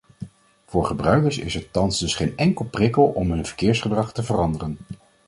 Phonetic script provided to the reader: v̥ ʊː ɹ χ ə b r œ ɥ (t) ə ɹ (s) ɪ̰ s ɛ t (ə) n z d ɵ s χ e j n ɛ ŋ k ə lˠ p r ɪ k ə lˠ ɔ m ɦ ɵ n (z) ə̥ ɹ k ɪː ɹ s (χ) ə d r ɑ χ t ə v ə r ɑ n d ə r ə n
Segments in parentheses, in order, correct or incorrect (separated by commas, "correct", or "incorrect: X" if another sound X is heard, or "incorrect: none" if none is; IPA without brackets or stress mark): incorrect: k, correct, incorrect: ɑ, incorrect: v, correct